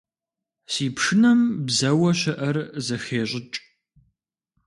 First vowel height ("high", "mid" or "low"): high